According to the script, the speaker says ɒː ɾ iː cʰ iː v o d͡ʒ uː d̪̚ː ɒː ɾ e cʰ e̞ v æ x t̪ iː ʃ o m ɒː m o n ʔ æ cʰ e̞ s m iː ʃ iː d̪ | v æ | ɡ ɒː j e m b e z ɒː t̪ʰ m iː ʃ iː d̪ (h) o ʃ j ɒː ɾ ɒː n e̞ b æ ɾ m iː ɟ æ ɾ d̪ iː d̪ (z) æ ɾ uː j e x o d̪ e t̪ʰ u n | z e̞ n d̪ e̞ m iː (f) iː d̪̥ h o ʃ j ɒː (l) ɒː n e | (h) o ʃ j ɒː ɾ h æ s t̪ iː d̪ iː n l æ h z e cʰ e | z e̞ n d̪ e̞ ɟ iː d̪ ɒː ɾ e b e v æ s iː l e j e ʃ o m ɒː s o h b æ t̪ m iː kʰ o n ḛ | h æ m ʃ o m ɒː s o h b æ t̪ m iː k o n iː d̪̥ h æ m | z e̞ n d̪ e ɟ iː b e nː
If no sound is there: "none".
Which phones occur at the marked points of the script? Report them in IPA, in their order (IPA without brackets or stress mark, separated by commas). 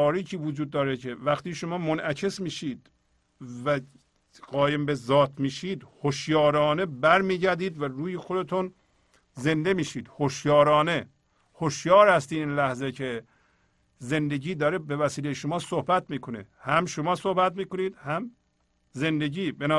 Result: h, v, ʃ, ɾ, h